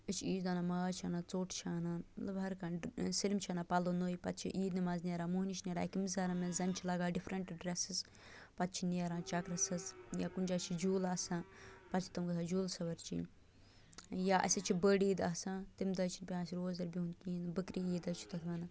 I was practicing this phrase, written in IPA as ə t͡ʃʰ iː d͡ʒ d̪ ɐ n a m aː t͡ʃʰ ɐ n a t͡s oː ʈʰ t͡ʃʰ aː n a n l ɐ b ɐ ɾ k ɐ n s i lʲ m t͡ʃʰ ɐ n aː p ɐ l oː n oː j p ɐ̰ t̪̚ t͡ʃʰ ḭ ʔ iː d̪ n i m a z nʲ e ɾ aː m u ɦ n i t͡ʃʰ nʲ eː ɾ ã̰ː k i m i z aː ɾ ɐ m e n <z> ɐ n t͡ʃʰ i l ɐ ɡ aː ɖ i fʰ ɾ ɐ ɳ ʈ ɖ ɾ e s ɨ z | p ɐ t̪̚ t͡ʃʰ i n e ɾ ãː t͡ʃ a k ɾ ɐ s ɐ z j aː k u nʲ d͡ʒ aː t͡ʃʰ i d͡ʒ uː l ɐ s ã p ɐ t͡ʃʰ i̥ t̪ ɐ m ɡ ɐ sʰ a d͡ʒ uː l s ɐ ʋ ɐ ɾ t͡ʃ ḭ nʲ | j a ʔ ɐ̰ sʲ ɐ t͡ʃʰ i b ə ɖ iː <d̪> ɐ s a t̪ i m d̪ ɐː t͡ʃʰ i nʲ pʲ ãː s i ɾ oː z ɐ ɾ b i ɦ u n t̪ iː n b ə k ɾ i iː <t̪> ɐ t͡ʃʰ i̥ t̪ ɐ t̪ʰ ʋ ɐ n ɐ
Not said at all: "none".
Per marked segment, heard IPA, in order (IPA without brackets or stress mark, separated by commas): z, d̪, d̪